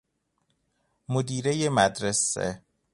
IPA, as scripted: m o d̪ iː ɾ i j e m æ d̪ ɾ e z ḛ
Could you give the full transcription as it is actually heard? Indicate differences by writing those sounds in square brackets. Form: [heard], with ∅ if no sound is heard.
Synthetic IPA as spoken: m o d̪ iː ɾ [e] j e m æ d̪ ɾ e [s] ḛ